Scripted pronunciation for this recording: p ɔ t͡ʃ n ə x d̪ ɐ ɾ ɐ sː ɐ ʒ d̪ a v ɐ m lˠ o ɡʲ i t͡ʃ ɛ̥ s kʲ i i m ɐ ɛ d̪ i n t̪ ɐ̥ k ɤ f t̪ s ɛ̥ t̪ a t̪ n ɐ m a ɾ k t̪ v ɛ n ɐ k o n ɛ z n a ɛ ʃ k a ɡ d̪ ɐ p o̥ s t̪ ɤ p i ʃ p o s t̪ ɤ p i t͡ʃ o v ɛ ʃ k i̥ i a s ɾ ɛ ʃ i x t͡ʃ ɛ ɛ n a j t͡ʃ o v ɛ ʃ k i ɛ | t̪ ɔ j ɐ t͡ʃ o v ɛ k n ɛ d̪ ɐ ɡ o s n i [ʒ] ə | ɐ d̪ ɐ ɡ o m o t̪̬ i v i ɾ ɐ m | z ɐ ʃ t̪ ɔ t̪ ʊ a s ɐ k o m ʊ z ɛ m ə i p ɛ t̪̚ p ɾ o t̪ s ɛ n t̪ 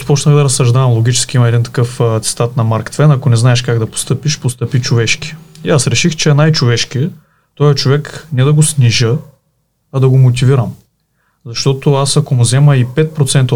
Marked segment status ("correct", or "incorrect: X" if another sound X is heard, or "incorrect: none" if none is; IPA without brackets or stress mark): correct